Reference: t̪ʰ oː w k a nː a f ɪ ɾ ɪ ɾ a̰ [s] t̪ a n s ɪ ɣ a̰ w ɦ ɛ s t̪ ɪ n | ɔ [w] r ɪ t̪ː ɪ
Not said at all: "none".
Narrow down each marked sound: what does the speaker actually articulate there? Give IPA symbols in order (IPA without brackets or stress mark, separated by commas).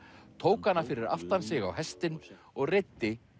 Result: f, ɣ